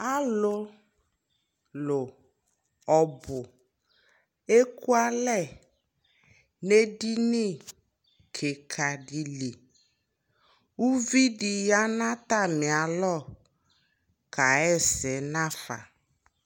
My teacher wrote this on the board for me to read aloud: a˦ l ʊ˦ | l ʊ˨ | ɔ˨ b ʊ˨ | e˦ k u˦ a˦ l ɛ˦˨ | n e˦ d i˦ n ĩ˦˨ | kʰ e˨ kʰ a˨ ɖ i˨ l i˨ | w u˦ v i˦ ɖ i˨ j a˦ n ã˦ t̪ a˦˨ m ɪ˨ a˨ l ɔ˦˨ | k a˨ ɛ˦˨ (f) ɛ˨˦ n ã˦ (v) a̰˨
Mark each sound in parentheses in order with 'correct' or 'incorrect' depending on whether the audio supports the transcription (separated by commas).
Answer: incorrect, incorrect